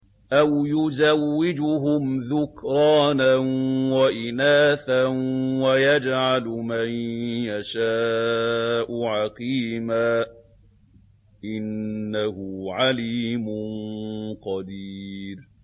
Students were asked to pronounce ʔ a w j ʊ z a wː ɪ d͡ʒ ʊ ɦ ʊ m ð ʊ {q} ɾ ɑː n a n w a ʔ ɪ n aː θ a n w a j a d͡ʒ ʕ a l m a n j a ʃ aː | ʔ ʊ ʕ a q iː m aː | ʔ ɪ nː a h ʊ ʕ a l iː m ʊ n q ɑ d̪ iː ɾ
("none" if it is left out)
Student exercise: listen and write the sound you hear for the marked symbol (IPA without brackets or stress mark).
k